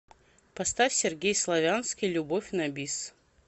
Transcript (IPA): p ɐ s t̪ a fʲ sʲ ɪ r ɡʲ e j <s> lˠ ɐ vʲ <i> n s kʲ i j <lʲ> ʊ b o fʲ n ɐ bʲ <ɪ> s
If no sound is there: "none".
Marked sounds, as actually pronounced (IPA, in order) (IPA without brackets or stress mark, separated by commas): s, a, lʲ, i